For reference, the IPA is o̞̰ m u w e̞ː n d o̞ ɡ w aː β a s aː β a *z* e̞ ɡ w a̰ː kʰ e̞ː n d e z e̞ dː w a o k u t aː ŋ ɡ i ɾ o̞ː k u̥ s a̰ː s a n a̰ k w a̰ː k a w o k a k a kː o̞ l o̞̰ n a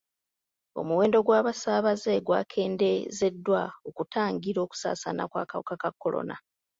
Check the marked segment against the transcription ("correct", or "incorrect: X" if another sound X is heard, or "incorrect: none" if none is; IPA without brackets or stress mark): correct